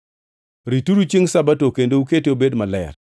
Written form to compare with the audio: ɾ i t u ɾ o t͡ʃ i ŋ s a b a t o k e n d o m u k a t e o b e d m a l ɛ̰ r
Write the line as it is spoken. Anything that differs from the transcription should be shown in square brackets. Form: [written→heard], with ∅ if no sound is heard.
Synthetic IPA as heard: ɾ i t u ɾ [o→u] t͡ʃ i ŋ s a b a t o k e n d o [m→∅] u k [a→e] t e o b e d m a l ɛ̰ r